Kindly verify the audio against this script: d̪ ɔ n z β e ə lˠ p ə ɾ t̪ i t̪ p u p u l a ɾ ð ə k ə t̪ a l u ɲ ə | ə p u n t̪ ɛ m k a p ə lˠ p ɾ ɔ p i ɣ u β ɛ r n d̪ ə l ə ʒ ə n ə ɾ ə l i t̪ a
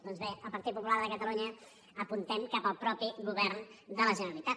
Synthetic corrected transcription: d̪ ɔ n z β e ə lˠ p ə ɾ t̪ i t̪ p u p u l a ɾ ð ə k ə t̪ ə l u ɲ ə | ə p u n t̪ ɛ m k a p ə lˠ p ɾ ɔ p i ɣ u β ɛ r n d̪ ə l ə ʒ ə n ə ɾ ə l i t̪ a

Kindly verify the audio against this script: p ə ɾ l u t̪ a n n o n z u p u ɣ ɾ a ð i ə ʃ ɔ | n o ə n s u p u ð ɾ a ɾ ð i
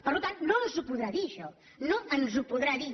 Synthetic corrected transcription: p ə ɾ l u t̪ a n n o n z u p u ð ɾ a ð i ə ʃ ɔ | n o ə n z u p u ð ɾ a ð i

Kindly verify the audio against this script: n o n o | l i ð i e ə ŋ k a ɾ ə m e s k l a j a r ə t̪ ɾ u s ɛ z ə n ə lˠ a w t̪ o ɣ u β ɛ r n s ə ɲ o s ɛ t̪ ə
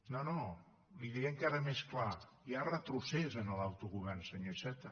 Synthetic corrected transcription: n o n o | l i ð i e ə ŋ k a ɾ ə m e s k l a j a r ə t̪ ɾ u s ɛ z ə n ə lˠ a w t̪ u ɣ u β ɛ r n s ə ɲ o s ɛ t̪ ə

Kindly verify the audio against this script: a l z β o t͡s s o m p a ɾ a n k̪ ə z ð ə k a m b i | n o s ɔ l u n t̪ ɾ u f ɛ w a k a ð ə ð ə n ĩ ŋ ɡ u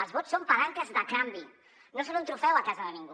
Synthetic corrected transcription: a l z β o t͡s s o m p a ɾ a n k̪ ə z ð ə k a m b i | n o s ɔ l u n t̪ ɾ u f ɛ w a k a z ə ð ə n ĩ ŋ ɡ u

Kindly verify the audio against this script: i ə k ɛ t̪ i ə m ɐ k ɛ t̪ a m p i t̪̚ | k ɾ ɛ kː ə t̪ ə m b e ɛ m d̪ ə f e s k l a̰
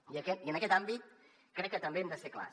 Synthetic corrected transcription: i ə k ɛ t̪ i ə n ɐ k ɛ t̪ a m b i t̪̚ | k ɾ ɛ kː ə t̪ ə m b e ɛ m d̪ ə s e k l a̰

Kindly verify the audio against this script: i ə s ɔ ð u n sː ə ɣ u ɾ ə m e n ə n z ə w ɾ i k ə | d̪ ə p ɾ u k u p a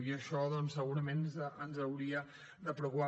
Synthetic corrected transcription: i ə ʃ ɔ ð ɔ n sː ə ɣ u ɾ ə m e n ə n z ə w ɾ i ə | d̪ ə p ɾ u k u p a

